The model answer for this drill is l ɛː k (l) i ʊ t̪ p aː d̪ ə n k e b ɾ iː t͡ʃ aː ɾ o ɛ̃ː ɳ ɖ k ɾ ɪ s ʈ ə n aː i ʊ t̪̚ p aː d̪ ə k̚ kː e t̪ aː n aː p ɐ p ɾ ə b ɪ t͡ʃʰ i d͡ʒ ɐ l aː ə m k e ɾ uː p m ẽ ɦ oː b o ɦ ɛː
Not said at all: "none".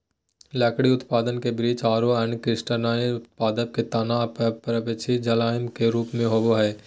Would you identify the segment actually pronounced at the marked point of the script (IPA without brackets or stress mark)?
ɽ